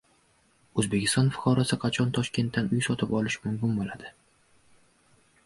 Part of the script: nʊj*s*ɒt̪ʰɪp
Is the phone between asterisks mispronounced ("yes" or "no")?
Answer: no